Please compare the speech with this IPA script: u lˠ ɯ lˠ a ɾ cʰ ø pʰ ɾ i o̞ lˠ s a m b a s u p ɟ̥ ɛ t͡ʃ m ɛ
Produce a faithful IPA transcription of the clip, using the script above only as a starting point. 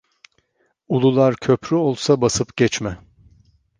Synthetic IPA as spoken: u lˠ u lˠ a ɾ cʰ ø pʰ ɾ y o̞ lˠ s a b a s ɯ p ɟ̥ ɛ t͡ʃ m ɛ